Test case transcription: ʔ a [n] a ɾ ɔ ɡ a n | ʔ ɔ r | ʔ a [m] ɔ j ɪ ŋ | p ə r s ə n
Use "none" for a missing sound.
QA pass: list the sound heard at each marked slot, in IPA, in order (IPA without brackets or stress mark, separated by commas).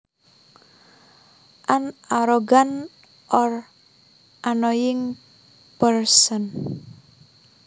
n, n